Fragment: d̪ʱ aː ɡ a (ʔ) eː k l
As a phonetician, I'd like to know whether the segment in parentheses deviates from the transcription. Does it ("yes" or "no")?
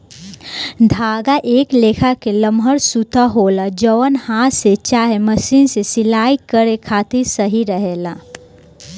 no